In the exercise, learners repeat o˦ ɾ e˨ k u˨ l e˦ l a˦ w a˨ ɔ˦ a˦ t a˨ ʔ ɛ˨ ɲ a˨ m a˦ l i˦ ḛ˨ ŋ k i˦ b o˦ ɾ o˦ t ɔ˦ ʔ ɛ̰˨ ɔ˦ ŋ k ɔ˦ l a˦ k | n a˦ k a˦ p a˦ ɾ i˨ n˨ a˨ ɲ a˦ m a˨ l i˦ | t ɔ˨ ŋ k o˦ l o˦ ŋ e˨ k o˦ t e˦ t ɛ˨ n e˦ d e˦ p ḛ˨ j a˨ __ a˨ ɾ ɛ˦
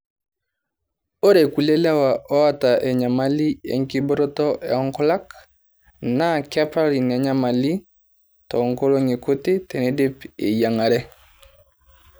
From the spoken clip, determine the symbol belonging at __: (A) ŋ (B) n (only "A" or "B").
A